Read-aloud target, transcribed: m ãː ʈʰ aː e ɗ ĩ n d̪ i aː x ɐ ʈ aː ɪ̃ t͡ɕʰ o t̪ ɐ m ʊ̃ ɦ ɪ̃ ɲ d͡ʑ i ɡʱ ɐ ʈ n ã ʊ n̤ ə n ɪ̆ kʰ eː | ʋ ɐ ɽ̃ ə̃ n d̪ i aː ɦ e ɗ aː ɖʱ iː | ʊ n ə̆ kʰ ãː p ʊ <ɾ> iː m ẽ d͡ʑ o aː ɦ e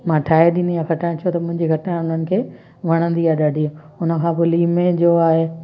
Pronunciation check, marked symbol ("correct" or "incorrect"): incorrect